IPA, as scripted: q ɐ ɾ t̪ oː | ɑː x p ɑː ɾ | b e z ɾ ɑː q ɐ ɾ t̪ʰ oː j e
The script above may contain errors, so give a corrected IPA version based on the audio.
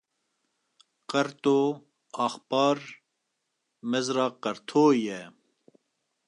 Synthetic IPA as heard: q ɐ ɾ t̪ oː | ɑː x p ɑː ɾ | m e z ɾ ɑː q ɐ ɾ t̪ʰ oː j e